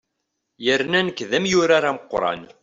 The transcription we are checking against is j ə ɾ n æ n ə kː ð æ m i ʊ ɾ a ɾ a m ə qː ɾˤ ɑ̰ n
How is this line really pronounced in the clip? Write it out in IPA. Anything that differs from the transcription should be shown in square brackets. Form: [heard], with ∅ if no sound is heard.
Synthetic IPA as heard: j ə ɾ n æ n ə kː ð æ m [j] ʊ ɾ a ɾ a m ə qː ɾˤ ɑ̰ n